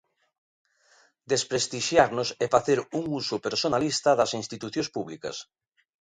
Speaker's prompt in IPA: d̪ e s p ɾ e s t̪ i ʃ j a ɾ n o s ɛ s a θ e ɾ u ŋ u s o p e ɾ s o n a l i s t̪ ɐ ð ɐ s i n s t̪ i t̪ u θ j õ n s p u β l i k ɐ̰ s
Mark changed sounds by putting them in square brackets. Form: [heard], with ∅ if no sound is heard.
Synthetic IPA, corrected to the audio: d̪ e s p ɾ e s t̪ i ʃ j a ɾ n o s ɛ [f] a θ e ɾ u ŋ u s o p e ɾ s o n a l i s t̪ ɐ ð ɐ s i n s t̪ i t̪ u θ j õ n s p u β l i k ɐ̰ s